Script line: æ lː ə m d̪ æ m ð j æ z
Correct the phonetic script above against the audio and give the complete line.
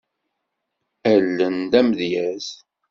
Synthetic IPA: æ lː ə n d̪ æ m ð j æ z